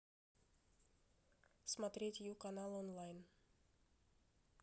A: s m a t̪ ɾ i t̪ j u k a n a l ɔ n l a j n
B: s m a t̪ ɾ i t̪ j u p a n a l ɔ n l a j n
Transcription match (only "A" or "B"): A